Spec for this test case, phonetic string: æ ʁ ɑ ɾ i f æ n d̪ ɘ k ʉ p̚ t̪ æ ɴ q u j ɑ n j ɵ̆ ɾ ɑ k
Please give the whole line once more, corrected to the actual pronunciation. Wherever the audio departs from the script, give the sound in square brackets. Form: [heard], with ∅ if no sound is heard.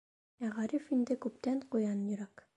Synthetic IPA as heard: æ ʁ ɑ ɾ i f [i] n d̪ ɘ k ʉ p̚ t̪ æ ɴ q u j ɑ n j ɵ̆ ɾ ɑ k

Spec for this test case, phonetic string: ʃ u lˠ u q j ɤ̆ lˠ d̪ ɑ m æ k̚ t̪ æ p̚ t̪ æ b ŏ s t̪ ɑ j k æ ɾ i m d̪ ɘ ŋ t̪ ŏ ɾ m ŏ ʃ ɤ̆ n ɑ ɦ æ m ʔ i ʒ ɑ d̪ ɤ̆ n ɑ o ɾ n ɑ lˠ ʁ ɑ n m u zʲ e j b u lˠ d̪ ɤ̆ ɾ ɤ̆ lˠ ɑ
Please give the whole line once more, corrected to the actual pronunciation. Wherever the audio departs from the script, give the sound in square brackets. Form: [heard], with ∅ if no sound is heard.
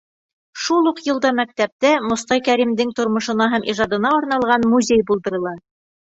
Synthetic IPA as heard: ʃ u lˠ u q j ɤ̆ lˠ d̪ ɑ m æ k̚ t̪ æ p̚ t̪ æ [m] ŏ s t̪ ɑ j k æ ɾ i m d̪ ɘ ŋ t̪ ŏ ɾ m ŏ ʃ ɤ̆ n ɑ ɦ æ m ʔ i ʒ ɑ d̪ ɤ̆ n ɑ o ɾ n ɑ lˠ ʁ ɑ n m u zʲ e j b u lˠ d̪ ɤ̆ ɾ ɤ̆ lˠ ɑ

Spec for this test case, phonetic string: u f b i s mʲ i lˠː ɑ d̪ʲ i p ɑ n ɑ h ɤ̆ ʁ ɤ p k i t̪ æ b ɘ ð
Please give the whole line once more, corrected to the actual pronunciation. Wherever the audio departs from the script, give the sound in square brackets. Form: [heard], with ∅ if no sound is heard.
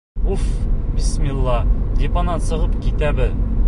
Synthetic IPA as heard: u f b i s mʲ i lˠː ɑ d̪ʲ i p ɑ n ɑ [s] ɤ̆ ʁ ɤ p k i t̪ æ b ɘ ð

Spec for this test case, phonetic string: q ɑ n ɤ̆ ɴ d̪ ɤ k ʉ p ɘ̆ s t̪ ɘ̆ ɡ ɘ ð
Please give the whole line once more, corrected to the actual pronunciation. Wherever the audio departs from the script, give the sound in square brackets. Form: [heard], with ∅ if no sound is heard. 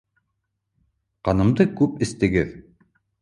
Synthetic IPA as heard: q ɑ n ɤ̆ [m] d̪ ɤ k ʉ p ɘ̆ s t̪ ɘ̆ ɡ ɘ ð

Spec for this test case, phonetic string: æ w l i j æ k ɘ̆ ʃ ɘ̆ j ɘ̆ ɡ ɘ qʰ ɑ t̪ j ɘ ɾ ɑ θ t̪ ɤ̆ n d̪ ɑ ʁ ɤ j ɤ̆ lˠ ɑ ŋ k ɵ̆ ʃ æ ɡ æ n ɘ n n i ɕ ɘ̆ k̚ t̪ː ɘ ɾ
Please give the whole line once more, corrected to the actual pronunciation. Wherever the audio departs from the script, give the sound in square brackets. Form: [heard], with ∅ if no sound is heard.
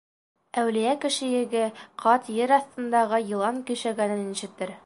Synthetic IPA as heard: æ w l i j æ k ɘ̆ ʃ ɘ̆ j ɘ̆ ɡ ɘ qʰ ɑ t̪ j ɘ ɾ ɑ θ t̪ ɤ̆ n d̪ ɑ ʁ ɤ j ɤ̆ lˠ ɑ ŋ k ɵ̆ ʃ æ ɡ æ n ɘ n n i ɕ ɘ̆ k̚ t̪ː ɘ ɾ

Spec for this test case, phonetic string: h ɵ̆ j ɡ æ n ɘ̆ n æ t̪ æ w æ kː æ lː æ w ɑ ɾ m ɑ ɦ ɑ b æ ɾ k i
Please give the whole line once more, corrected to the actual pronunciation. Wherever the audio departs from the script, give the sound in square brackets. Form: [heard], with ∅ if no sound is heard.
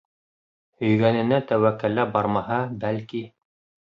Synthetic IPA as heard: h ɵ̆ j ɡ æ n ɘ̆ n æ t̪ æ w æ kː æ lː æ [b] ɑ ɾ m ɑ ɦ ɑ b æ [l] k i

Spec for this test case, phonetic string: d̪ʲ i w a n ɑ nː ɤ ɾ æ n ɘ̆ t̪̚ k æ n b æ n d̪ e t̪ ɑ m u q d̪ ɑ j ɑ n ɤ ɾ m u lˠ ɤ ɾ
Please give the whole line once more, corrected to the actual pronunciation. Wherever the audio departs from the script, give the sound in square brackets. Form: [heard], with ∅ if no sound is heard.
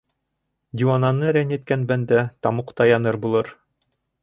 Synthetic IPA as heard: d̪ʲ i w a n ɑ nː ɤ ɾ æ n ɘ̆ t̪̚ k æ n b æ n d̪ [æ] t̪ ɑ m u q [t̪] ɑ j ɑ n ɤ ɾ [b] u lˠ ɤ ɾ

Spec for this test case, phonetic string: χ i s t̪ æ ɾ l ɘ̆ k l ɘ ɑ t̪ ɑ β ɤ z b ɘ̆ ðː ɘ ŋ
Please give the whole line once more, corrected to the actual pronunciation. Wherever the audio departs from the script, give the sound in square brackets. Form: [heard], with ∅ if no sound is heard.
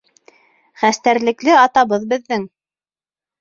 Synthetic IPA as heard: χ [æ] s t̪ æ ɾ l ɘ̆ k l ɘ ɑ t̪ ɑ β ɤ [ð] b ɘ̆ ðː ɘ ŋ

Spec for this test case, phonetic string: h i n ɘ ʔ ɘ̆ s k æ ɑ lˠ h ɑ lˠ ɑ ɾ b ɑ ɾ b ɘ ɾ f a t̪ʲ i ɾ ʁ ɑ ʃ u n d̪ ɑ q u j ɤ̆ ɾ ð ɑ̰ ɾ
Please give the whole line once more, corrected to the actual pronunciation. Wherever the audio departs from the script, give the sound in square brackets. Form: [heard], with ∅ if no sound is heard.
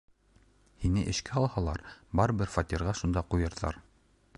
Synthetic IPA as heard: h i n ɘ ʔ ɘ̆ [ʃ] k æ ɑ lˠ h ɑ lˠ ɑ ɾ b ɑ ɾ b ɘ ɾ f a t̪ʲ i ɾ ʁ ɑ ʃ u n d̪ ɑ q u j ɤ̆ ɾ ð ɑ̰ ɾ

